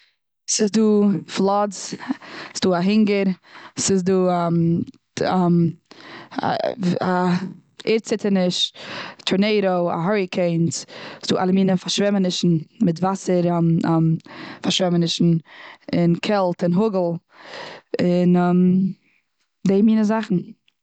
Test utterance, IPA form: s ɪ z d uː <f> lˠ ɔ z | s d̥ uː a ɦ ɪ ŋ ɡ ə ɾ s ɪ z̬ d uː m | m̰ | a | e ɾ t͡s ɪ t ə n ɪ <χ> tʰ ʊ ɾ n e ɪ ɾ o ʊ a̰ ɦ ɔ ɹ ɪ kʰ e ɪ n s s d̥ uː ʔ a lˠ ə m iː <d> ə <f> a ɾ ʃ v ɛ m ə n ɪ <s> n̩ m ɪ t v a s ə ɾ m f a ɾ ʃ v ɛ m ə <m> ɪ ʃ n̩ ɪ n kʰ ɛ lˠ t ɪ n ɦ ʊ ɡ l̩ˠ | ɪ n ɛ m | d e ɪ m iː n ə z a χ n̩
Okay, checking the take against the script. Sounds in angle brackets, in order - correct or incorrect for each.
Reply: correct, incorrect: ʃ, incorrect: n, correct, incorrect: ʃ, incorrect: n

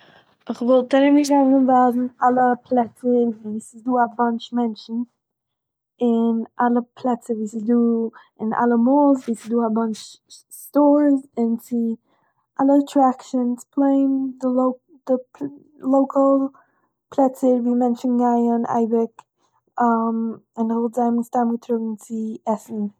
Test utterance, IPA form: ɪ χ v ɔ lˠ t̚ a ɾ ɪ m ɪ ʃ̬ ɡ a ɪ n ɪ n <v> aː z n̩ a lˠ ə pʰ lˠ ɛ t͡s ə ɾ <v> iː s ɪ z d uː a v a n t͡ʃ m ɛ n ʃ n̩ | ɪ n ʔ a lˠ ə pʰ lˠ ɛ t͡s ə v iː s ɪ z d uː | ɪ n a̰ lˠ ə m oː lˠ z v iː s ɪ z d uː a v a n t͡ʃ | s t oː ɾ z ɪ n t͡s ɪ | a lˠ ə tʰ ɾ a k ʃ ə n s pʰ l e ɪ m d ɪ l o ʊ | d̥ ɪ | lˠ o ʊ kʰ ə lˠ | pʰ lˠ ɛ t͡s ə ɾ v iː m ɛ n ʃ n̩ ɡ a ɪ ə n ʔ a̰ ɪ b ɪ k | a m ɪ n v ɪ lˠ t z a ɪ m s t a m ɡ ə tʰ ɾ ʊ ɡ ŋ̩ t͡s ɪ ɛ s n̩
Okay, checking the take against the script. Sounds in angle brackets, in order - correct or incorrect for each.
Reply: correct, correct

